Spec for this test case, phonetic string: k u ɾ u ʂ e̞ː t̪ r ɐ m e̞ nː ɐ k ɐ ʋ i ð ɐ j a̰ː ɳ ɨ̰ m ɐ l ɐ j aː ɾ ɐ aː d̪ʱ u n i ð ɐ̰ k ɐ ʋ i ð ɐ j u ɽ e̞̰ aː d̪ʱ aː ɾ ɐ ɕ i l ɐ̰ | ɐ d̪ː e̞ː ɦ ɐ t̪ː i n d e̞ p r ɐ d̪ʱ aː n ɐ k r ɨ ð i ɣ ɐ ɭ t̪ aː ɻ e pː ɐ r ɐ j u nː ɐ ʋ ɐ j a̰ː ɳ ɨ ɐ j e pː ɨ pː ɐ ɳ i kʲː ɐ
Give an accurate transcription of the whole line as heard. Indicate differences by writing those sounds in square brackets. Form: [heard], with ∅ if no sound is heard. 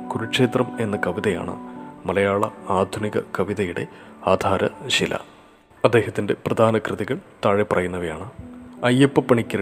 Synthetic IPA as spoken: k u ɾ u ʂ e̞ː t̪ r ɐ m e̞ nː ɐ k ɐ ʋ i ð ɐ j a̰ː ɳ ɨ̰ m ɐ l ɐ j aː [ɭ] ɐ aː d̪ʱ u n i [ɣ] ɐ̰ k ɐ ʋ i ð ɐ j u ɽ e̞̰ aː d̪ʱ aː ɾ ɐ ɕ i l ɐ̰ | ɐ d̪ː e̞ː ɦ ɐ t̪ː i n d e̞ p r ɐ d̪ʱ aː n ɐ k r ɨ ð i ɣ ɐ ɭ t̪ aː ɻ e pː ɐ r ɐ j u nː ɐ ʋ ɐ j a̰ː ɳ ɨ ɐ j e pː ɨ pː ɐ ɳ i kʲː ɐ